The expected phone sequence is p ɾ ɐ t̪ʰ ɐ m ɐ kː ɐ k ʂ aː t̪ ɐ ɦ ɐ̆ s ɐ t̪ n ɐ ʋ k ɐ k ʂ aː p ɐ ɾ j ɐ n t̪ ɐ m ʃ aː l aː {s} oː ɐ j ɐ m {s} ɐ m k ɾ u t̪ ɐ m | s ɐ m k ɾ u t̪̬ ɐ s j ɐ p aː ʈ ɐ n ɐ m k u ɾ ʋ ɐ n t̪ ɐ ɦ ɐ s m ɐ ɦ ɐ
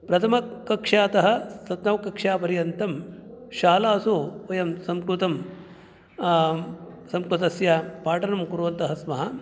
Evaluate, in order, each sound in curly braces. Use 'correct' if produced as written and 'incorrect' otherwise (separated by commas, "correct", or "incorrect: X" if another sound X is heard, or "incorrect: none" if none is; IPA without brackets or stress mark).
correct, correct